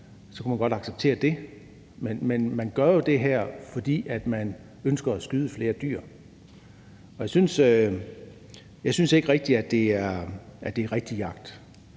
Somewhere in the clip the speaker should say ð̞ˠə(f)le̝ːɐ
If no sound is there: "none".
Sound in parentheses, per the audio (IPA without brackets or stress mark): f